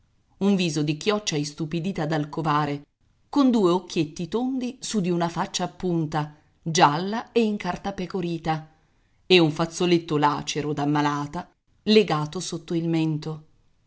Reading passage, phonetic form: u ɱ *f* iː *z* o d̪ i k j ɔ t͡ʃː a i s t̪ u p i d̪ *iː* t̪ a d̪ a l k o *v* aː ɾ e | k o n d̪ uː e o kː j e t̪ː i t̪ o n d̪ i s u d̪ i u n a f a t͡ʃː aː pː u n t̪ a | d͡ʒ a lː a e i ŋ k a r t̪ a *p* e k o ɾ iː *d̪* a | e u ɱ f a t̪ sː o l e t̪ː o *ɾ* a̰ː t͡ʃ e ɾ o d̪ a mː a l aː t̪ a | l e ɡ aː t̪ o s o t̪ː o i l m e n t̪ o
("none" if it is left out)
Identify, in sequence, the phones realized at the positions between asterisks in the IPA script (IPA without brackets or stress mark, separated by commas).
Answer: v, z, iː, v, p, t̪, l